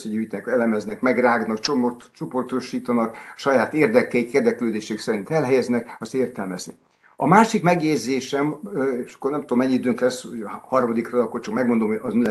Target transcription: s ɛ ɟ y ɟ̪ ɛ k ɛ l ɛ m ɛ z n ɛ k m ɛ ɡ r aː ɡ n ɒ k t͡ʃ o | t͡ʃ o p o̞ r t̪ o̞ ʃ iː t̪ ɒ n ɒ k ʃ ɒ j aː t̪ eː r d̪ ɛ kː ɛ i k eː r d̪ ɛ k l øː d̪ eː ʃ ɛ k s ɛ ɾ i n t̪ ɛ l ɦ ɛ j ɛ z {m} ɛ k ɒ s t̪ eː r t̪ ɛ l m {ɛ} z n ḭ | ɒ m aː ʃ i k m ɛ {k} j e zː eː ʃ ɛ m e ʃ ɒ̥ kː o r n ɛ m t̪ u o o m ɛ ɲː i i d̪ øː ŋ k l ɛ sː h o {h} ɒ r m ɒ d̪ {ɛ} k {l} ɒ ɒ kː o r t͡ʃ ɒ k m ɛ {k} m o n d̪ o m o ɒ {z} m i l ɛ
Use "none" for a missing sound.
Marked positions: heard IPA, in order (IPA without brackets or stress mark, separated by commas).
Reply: n, ɛ, ɡ, h, i, r, ɡ, z